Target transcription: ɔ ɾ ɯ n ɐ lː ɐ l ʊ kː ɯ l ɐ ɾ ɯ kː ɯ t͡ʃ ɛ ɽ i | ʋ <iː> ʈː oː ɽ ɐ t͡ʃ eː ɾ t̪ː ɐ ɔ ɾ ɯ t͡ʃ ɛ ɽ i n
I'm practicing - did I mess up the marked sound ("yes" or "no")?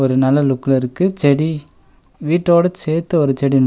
no